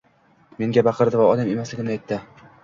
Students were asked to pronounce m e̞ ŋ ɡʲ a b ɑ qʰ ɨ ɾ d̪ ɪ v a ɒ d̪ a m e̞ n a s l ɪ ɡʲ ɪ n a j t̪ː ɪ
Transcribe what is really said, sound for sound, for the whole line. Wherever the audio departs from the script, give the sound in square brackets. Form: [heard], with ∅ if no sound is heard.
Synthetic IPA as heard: m e̞ ŋ ɡʲ a b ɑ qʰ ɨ ɾ d̪ ɪ v a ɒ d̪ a m e̞ [m] a s l ɪ ɡʲ ɪ n a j t̪ː ɪ

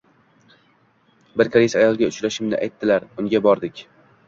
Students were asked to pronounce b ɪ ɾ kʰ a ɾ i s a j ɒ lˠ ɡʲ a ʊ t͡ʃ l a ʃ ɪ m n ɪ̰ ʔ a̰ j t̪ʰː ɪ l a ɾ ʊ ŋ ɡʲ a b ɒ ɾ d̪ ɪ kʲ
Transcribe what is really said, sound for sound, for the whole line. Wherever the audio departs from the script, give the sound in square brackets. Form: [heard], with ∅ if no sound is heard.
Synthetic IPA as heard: b ɪ ɾ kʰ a ɾ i s a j ɒ lˠ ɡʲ a ʊ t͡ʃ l a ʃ ɪ m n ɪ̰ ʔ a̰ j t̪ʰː ɪ l a ɾ ʊ ŋ ɡʲ a b ɒ ɾ d̪ ɪ kʲ

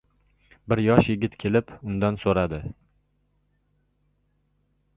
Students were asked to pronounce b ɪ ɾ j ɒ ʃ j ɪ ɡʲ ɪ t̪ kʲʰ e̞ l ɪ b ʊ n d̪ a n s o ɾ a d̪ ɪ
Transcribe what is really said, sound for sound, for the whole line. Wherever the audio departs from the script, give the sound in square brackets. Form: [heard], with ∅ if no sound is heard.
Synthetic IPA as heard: b ɪ ɾ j ɒ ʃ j ɪ ɡʲ ɪ t̪ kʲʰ e̞ l ɪ [p] ʊ n d̪ a n s o ɾ a d̪ ɪ

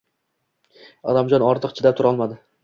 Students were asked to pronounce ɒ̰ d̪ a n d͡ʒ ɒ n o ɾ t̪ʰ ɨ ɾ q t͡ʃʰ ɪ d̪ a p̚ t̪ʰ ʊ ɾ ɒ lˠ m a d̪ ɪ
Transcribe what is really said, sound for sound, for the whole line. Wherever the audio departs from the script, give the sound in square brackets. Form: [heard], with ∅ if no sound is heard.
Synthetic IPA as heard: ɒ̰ d̪ a [m] d͡ʒ ɒ n [ɒ] ɾ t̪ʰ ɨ [∅] q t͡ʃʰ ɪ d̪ a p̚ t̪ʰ ʊ ɾ ɒ lˠ m a d̪ ɪ

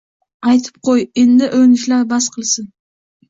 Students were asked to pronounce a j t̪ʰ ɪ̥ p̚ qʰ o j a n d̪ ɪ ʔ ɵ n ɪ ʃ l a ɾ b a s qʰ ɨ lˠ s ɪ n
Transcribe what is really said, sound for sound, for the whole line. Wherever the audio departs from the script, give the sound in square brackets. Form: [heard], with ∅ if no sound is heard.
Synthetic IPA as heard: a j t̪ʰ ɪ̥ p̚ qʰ o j [e] n d̪ ɪ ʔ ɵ n ɪ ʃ l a ɾ b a s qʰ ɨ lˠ s ɪ n

